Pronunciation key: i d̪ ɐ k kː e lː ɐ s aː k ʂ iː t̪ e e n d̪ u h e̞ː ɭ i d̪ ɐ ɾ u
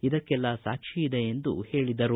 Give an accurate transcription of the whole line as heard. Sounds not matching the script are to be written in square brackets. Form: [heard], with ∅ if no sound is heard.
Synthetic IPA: i d̪ ɐ k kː [ɛ] lː ɐ s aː k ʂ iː [d̪] e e n d̪ u h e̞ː ɭ i d̪ ɐ ɾ u